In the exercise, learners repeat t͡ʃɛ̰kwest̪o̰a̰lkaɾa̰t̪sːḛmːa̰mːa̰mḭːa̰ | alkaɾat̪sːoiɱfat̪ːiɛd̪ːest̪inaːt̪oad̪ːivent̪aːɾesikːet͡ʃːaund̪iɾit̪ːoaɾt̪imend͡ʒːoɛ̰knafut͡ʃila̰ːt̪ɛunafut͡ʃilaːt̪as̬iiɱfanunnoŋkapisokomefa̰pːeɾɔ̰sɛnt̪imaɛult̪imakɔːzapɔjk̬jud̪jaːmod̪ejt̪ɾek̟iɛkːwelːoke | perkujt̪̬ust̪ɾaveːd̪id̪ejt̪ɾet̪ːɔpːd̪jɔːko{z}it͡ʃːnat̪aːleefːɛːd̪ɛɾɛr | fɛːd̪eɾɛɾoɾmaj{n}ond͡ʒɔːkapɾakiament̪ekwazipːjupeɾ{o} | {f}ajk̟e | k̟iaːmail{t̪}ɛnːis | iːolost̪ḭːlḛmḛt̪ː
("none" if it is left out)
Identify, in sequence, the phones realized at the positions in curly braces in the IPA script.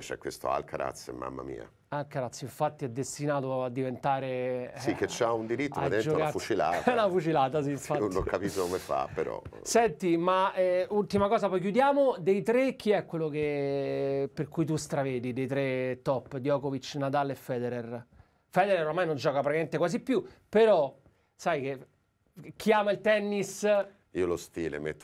v, n, ɔ, s, t̪

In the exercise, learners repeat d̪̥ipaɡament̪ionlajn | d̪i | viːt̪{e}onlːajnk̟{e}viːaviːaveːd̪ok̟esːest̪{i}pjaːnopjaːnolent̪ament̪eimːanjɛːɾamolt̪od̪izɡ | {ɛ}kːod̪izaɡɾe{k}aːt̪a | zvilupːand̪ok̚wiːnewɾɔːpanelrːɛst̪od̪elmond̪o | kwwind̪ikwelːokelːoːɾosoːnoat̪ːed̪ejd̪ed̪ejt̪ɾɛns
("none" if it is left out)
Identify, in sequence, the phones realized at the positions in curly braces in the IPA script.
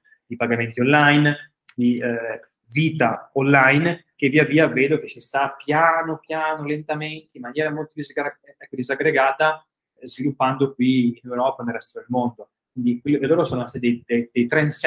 a, e, a, ɛ, ɡ

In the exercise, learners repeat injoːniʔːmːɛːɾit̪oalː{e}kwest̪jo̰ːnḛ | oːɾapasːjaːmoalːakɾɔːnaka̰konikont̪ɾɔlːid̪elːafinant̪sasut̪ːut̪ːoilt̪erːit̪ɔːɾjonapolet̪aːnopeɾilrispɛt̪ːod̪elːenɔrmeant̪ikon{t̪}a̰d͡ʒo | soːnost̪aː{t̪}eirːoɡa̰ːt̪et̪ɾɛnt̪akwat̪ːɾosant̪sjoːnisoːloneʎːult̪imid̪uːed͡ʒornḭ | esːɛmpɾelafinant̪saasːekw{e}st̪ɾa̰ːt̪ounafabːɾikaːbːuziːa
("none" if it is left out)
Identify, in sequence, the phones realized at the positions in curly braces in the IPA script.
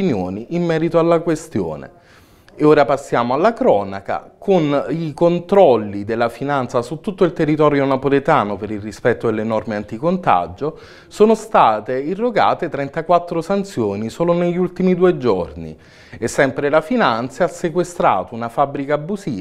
a, t̪, t̪, e

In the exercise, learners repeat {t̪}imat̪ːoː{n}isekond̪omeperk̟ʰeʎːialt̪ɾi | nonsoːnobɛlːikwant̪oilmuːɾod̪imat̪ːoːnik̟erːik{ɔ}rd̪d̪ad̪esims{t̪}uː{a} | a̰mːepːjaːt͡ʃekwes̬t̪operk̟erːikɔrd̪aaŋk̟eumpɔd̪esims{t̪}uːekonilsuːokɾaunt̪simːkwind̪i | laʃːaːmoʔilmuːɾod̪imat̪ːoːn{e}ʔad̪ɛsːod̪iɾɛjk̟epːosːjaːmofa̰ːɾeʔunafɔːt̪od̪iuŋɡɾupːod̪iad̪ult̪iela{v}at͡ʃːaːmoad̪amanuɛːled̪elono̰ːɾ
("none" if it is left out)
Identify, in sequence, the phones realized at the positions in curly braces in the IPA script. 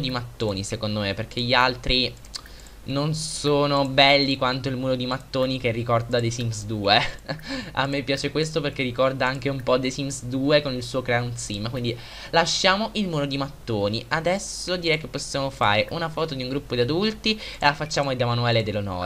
d̪, n, ɔ, d̪, e, d̪, i, f

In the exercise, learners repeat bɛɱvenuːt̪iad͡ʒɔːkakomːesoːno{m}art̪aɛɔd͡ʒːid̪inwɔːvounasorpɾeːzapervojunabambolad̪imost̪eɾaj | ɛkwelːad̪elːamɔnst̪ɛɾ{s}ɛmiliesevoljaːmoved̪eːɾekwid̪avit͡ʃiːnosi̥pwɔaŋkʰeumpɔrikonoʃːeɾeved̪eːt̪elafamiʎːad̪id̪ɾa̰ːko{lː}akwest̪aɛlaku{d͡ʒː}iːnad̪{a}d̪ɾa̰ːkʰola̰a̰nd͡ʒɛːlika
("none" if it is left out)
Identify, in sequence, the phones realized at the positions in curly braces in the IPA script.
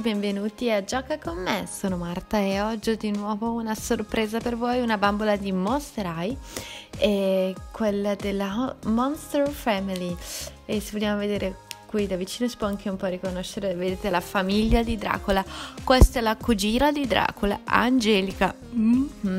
m, f, l, d͡ʒ, i

